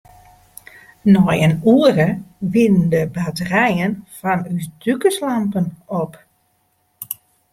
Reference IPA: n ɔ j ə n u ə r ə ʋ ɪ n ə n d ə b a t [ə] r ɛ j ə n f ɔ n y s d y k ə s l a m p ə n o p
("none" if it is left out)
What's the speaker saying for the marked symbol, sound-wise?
ə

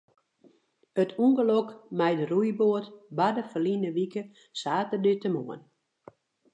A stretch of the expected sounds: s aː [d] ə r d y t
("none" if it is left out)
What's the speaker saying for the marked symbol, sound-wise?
t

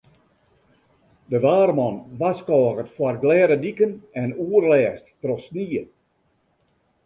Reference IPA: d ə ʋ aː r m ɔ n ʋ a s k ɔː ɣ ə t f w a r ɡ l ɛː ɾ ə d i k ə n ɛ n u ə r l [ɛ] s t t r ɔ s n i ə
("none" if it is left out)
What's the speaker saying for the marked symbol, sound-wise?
ɛː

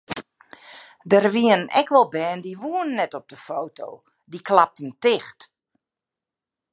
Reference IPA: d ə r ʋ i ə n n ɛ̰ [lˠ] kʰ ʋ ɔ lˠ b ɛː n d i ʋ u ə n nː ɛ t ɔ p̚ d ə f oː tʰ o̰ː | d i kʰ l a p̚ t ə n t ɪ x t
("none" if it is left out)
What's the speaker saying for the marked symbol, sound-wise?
none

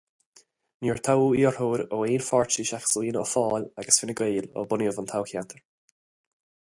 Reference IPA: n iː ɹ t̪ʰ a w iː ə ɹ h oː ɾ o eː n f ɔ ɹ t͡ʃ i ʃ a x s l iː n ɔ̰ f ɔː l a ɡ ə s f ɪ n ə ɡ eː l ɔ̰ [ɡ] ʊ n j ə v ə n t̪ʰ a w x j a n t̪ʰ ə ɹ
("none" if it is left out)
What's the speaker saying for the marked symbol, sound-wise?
b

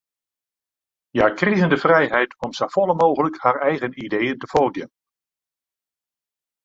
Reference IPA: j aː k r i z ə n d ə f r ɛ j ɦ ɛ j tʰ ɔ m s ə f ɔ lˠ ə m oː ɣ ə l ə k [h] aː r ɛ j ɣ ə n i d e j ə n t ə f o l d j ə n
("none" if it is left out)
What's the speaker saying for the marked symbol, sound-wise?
h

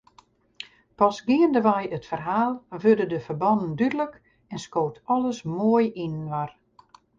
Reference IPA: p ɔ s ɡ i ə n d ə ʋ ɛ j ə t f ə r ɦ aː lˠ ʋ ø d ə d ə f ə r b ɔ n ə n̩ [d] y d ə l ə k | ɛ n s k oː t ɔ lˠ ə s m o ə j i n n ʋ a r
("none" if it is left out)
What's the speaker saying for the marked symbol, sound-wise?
d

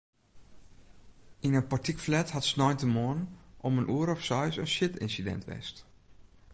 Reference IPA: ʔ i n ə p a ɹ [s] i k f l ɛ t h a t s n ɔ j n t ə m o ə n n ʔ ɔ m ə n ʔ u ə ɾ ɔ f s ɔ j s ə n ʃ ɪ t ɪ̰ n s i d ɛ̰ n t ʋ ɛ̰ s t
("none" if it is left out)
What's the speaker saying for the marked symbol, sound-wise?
t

